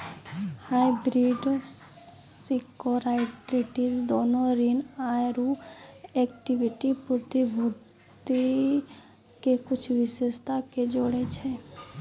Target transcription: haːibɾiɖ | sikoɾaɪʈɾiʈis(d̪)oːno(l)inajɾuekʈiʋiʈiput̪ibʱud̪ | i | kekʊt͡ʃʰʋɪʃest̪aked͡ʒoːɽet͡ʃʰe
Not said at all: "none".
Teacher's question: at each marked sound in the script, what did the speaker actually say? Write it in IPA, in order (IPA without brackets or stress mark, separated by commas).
d̪, ɾ